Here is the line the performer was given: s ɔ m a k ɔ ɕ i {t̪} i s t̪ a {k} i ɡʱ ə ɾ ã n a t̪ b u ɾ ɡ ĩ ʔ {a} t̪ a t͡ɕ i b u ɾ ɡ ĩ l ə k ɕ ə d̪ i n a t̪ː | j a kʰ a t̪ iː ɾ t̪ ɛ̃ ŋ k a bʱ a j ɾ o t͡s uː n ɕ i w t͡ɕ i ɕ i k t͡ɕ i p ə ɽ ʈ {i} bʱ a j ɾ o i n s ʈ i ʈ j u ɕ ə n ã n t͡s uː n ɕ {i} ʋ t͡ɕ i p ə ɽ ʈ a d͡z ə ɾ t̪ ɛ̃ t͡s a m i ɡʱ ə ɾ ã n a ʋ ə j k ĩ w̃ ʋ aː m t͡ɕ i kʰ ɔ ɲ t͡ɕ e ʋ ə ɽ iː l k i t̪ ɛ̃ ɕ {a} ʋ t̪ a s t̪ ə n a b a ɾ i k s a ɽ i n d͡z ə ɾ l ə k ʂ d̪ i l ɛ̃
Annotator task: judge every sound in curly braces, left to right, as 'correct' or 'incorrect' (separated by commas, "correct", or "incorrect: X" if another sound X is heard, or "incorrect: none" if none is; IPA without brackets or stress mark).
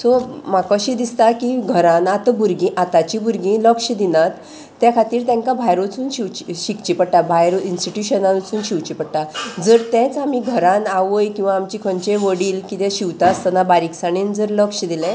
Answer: incorrect: d̪, correct, correct, incorrect: a, correct, incorrect: i